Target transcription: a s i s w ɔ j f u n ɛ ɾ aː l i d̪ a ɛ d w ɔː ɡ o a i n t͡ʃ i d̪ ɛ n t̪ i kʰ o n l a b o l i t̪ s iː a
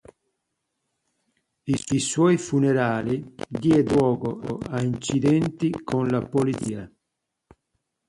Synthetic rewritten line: i s i s w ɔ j f u n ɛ ɾ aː l i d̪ i ɛ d w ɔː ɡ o a i n t͡ʃ i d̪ ɛ n t̪ i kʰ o n l a p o l i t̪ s iː a

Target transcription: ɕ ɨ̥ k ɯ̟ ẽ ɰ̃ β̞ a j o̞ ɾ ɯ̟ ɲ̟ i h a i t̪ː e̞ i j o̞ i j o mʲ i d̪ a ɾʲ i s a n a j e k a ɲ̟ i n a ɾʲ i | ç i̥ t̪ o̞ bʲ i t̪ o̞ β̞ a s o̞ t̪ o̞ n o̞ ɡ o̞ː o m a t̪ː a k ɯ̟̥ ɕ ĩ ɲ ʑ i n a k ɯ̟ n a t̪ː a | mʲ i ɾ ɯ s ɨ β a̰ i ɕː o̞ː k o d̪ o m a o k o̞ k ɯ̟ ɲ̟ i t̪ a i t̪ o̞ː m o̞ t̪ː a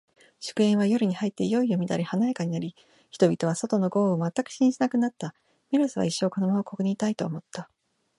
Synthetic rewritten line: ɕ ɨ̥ k ɯ̟ ẽ ɰ̃ β̞ a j o̞ ɾ ɯ̟ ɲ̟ i h a i t̪ː e̞ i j o̞ i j o mʲ i d̪ a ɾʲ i h a n a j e k a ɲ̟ i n a ɾʲ i | ç i̥ t̪ o̞ bʲ i t̪ o̞ β̞ a s o̞ t̪ o̞ n o̞ ɡ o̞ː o m a t̪ː a k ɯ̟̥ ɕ ĩ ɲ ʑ i n a k ɯ̟ n a t̪ː a | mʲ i ɾ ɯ s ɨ β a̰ i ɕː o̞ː k o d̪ o m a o k o̞ k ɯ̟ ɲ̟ i t̪ a i t̪ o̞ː m o̞ t̪ː a

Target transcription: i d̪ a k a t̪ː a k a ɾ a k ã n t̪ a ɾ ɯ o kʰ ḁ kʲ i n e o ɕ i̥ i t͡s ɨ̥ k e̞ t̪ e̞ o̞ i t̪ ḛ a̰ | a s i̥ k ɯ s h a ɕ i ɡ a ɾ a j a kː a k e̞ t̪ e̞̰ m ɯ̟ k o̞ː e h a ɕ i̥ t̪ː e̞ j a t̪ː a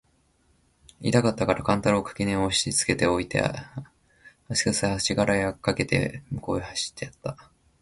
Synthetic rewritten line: i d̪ a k a t̪ː a k a ɾ a k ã n t̪ a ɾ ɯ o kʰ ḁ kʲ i n e o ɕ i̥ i t͡s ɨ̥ k e̞ t̪ e̞ o̞ i t̪ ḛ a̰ | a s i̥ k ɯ s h a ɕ i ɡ a ɾ a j a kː a k e̞ t̪ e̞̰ m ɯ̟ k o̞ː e h a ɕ i̥ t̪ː e̞ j a t̪ː a

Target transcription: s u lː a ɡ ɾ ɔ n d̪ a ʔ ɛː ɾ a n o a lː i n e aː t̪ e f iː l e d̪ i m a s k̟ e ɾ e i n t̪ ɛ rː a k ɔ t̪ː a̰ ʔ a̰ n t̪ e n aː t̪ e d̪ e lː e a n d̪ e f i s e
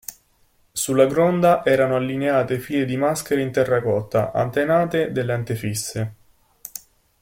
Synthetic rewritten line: s u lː a ɡ ɾ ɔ n d̪ a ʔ ɛː ɾ a n o a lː i n e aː t̪ e f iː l e d̪ i m a s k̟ e ɾ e i n t̪ ɛ rː a k ɔ t̪ː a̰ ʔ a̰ n t̪ e n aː t̪ e d̪ e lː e a n t̪ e f i sː e

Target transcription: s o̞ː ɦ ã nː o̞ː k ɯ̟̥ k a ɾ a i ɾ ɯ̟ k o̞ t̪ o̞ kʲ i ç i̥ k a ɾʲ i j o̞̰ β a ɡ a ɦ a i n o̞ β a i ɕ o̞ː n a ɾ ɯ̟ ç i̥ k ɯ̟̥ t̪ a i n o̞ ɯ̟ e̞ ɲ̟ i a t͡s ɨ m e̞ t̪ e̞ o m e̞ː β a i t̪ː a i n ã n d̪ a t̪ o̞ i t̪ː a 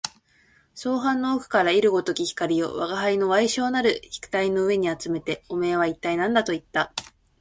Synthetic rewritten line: s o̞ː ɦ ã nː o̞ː k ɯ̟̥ k a ɾ a i ɾ ɯ̟ ɡ o̞ t̪ o̞ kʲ i ç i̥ k a ɾʲ i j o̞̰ β a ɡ a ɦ a i n o̞ β a i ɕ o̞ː n a ɾ ɯ̟ ç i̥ k ɯ̟̥ t̪ a i n o̞ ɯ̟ e̞ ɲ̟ i a t͡s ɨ m e̞ t̪ e̞ o m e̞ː β a i t̪ː a i n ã n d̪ a t̪ o̞ i t̪ː a

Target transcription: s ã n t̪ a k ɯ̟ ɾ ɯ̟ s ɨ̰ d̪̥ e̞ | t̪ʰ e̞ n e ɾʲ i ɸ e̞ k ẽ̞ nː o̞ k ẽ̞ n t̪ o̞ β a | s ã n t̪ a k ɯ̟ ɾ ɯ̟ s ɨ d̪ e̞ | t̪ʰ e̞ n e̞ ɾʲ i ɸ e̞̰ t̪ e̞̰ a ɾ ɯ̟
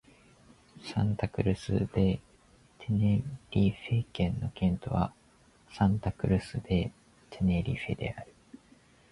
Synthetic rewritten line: s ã n t̪ a k ɯ̟ ɾ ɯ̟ s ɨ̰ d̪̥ e̞ | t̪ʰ e̞ n e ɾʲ i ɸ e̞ k ẽ̞ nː o̞ k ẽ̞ n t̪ o̞ β a | s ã n t̪ a k ɯ̟ ɾ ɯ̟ s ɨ d̪ e̞ | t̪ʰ e̞ n e̞ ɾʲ i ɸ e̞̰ d̪ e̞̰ a ɾ ɯ̟

